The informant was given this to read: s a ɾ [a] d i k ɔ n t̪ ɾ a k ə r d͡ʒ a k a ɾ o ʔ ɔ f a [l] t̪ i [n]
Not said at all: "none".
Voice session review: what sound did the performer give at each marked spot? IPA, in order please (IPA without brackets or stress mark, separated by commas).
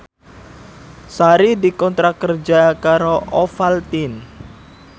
i, l, n